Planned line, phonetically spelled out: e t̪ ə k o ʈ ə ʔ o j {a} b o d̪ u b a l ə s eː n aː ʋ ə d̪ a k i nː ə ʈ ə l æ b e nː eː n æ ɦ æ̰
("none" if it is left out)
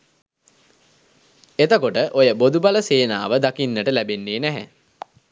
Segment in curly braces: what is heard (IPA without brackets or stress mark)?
ə